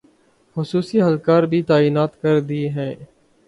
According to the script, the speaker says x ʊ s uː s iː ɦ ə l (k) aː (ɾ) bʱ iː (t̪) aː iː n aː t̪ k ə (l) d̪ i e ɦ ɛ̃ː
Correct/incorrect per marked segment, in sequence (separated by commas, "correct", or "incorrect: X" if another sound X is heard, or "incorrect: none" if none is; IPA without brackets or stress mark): correct, correct, correct, incorrect: ɾ